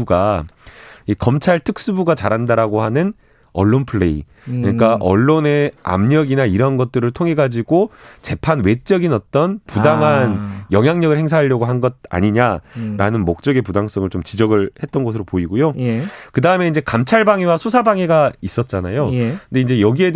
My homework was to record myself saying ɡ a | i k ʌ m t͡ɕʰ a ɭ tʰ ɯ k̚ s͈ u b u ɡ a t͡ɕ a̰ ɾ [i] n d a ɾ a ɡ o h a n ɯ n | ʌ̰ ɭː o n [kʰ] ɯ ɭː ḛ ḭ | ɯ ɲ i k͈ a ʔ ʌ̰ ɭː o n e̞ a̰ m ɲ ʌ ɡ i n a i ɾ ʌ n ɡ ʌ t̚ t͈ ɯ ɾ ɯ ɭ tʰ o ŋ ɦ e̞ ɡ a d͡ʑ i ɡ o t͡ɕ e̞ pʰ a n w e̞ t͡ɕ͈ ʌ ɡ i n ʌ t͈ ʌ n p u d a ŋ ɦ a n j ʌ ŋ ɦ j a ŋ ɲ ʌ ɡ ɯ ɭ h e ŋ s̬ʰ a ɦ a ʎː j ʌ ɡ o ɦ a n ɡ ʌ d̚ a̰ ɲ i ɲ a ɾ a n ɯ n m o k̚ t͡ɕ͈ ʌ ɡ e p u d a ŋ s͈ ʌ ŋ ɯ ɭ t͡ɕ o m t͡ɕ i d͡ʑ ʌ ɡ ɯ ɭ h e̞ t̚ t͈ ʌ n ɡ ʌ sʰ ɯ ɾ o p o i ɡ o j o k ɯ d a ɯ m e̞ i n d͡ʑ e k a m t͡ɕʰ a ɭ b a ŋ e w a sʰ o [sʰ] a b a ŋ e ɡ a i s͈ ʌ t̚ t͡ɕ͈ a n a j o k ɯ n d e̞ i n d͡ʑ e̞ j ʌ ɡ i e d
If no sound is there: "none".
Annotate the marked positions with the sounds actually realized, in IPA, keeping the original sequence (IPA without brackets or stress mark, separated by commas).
a, pʰ, sʰ